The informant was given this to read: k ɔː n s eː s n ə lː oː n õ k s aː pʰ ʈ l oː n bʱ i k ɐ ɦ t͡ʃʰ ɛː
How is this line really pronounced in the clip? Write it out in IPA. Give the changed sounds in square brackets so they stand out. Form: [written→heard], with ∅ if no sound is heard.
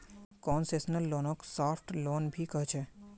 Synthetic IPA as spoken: k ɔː n s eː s n ə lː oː n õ k s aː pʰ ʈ l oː n bʱ i k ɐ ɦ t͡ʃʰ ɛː